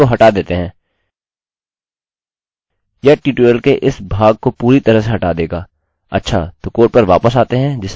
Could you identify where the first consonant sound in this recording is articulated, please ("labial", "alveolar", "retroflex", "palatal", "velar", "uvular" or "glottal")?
glottal